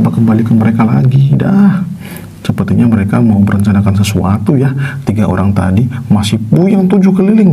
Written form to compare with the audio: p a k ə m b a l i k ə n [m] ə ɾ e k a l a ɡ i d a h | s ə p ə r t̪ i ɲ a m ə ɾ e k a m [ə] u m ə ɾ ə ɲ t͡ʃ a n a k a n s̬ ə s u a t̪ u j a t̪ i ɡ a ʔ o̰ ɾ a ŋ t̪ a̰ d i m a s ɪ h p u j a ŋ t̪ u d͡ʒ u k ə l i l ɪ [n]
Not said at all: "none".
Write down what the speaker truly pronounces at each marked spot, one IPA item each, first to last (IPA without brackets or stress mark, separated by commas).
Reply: m, a, ŋ